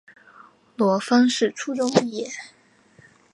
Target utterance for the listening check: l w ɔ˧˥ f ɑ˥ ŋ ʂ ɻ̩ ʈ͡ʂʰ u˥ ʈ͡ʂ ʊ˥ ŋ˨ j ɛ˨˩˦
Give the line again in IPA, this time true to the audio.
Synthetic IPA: l w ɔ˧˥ f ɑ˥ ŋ ʂ ɻ̩ ʈ͡ʂʰ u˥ ʈ͡ʂ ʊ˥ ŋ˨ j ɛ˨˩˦